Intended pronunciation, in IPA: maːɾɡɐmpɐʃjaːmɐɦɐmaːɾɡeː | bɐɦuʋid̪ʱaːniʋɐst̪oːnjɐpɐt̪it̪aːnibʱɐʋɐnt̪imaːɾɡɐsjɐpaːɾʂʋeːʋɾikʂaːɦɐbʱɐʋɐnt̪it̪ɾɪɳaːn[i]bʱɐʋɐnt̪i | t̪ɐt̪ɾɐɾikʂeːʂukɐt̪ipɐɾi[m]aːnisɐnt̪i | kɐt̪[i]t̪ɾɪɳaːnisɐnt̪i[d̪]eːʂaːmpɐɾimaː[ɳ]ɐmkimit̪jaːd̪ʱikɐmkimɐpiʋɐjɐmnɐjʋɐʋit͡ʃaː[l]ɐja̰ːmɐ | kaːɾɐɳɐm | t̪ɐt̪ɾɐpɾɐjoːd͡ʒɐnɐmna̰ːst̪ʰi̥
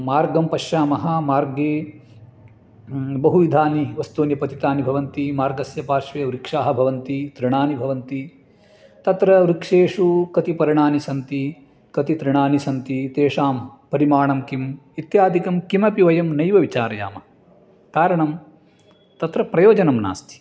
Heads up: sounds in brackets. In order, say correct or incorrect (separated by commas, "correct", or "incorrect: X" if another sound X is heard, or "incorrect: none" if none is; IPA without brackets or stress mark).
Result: correct, incorrect: ɳ, correct, incorrect: t̪, correct, incorrect: ɾ